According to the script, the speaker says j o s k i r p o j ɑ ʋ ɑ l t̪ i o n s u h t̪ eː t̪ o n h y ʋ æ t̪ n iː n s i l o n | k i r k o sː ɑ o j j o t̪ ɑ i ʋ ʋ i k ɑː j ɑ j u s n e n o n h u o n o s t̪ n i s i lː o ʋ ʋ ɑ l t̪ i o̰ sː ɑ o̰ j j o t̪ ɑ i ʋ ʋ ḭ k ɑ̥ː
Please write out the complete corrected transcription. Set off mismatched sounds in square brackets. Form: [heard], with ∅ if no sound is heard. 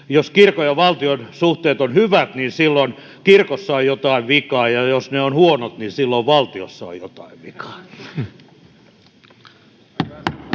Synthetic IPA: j o s k i r [k] o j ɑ ʋ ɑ l t̪ i o n s u h t̪ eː t̪ o n h y ʋ æ t̪ n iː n s i [lː] o n | k i r k o sː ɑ o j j o t̪ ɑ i ʋ ʋ i k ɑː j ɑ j [o] s n e [∅] o n h u o n o [∅] t̪ n i s i lː o ʋ ʋ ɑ l t̪ i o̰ sː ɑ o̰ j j o t̪ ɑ i ʋ ʋ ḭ k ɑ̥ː